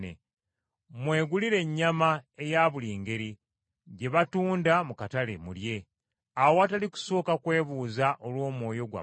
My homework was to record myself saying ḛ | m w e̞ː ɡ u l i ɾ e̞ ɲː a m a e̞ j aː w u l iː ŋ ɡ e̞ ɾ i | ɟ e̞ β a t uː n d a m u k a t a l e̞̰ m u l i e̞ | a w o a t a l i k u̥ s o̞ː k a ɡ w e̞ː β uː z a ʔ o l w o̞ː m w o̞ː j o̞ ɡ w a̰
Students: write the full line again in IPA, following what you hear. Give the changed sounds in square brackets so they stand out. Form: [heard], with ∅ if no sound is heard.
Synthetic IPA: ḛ | m w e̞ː ɡ u l i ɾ e̞ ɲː a m a e̞ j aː [β] u l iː ŋ ɡ e̞ ɾ i | ɟ e̞ β a t uː n d a m u k a t a l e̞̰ m u l [j] e̞ | a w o a t a l i k u̥ s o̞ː k a [k] w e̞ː β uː z a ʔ o l w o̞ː m w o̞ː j o̞ ɡ w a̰